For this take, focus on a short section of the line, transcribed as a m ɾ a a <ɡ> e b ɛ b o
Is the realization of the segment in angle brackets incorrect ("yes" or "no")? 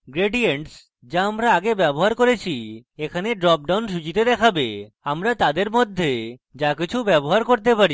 no